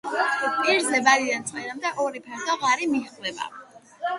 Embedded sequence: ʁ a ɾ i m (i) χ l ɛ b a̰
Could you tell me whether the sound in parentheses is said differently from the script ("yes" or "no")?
no